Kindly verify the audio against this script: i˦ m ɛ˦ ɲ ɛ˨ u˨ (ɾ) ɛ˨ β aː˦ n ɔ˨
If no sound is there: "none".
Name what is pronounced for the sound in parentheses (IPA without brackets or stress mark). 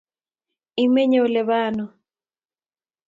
l